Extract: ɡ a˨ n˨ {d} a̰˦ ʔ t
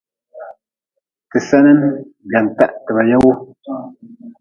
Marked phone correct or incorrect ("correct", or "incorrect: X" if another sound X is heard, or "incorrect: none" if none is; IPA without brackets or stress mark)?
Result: incorrect: t